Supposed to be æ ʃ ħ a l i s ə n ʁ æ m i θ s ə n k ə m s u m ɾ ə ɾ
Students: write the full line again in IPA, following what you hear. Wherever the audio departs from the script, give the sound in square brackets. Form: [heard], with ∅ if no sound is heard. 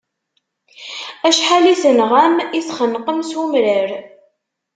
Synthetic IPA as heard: æ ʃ ħ a l i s ə n ʁ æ m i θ [χ] ə n [q] ə m s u m ɾ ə ɾ